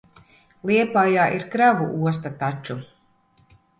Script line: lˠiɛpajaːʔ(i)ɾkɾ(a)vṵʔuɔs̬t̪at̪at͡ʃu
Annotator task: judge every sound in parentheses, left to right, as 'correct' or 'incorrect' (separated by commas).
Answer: correct, correct